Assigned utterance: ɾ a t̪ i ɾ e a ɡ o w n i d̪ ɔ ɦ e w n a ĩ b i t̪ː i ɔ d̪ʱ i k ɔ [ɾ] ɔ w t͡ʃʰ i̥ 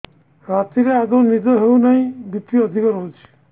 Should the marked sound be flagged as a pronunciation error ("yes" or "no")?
no